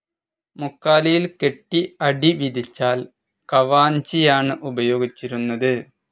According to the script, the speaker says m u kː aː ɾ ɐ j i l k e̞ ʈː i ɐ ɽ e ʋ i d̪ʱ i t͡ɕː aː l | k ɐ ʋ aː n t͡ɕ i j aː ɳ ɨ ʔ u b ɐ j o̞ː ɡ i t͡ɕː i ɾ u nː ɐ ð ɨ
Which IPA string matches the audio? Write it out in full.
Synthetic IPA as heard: m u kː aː l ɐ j i l k e̞ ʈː i ɐ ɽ i ʋ i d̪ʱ i t͡ɕː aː l | k ɐ ʋ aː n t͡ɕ i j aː ɳ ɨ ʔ u b ɐ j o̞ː ɡ i t͡ɕː i ɾ u nː ɐ ð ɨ